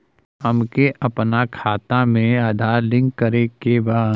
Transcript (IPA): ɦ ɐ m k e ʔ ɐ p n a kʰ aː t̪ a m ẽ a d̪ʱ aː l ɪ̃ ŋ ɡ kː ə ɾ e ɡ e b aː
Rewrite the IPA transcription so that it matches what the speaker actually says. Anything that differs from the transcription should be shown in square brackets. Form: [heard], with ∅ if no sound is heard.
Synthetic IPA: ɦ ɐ m k e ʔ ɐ p n a kʰ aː t̪ a m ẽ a d̪ʱ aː l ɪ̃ ŋ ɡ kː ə ɾ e [k] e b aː